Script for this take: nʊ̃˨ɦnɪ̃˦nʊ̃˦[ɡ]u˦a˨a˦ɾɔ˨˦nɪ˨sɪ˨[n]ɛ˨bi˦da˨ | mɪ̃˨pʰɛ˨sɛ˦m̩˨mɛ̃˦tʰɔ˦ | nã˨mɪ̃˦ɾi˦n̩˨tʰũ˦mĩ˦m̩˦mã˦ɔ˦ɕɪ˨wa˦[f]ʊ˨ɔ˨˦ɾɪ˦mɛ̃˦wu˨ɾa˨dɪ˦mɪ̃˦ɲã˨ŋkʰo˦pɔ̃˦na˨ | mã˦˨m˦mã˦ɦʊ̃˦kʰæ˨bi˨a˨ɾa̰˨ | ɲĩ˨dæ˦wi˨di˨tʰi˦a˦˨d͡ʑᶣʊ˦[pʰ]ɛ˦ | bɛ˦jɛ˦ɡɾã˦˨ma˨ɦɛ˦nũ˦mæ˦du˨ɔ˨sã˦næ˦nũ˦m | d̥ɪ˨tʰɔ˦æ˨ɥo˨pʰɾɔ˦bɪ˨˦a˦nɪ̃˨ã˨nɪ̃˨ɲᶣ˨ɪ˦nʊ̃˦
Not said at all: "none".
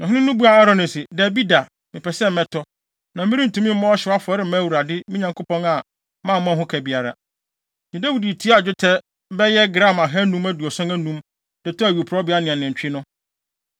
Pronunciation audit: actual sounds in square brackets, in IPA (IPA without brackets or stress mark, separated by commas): b, d, f, tʰ